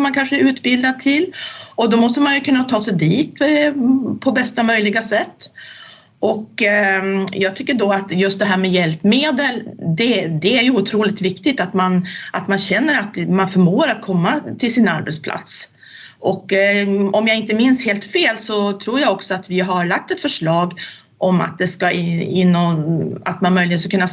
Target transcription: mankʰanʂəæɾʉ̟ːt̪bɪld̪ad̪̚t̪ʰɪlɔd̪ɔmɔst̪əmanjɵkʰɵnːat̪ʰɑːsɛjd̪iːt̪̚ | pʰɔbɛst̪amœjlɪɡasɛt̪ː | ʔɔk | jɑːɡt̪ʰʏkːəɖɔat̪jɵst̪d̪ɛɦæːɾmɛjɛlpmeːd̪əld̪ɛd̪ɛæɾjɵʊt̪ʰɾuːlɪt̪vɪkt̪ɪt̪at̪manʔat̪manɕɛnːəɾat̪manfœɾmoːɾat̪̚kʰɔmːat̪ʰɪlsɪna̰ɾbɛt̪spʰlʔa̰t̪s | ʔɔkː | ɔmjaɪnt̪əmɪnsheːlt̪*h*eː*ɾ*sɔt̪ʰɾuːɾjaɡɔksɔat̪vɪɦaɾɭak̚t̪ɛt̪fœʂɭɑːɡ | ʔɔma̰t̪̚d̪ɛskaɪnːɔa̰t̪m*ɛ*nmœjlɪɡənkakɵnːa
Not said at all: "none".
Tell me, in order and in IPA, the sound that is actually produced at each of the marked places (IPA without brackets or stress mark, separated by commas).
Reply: f, l, a